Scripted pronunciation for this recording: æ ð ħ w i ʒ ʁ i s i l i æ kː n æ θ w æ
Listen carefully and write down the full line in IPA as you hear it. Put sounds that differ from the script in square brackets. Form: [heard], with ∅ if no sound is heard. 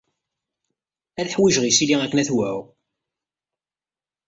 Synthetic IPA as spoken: æ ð ħ w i ʒ ʁ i s i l i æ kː n æ θ w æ